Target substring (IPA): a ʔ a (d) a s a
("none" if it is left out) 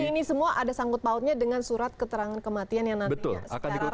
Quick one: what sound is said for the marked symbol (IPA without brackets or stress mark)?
d